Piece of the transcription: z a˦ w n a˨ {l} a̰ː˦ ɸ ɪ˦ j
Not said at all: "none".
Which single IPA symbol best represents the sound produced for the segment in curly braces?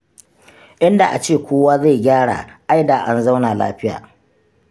l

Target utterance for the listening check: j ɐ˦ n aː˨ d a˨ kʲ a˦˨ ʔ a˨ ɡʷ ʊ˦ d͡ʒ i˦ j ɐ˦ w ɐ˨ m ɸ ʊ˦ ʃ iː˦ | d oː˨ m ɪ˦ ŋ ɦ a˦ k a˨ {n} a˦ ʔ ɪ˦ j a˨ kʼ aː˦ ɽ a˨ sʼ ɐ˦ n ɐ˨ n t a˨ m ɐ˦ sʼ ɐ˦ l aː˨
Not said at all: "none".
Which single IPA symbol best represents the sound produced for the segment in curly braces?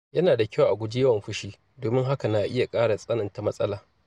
n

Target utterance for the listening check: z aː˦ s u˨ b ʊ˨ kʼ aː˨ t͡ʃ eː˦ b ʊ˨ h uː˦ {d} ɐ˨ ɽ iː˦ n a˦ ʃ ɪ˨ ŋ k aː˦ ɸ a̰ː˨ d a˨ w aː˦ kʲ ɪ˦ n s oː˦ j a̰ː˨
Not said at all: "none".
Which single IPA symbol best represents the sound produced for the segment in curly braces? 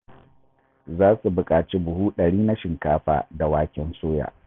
ɗ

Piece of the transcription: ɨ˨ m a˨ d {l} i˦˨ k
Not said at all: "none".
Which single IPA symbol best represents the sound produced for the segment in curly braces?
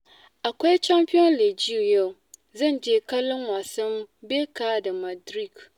ɾ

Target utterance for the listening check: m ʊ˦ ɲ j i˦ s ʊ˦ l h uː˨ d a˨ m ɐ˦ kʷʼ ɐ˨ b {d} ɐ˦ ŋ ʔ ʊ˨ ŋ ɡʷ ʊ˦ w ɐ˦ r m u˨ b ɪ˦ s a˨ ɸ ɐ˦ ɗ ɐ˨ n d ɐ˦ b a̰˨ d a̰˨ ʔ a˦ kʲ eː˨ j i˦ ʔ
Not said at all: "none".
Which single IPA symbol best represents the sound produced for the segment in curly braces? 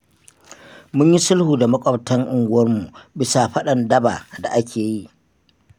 t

